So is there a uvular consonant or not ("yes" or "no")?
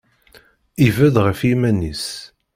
yes